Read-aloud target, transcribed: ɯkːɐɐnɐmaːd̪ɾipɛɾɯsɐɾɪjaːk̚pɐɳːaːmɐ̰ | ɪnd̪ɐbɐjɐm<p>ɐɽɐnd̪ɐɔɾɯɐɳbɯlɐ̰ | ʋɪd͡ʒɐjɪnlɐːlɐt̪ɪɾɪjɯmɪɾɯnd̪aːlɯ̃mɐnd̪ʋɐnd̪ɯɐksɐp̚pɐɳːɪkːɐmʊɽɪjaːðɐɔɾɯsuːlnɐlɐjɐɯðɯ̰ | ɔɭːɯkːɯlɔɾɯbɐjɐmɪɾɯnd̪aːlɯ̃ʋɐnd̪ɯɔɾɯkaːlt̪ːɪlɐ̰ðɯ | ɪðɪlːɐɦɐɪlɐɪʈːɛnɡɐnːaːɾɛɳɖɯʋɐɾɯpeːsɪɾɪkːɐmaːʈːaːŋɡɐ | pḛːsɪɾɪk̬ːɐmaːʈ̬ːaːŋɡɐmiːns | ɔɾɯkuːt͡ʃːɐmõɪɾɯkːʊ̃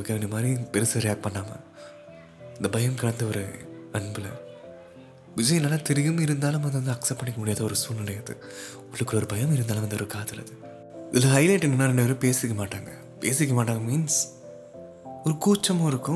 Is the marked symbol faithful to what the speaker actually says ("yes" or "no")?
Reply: no